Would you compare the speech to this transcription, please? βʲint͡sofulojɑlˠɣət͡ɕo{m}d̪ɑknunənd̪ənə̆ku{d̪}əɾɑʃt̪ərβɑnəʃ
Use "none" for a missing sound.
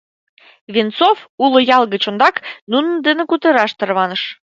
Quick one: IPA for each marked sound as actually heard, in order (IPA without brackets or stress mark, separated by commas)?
n, t̪